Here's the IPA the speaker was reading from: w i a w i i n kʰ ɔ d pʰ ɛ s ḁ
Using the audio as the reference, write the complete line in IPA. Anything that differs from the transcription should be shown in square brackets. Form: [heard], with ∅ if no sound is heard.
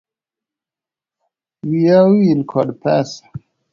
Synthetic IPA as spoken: w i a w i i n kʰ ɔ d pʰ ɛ s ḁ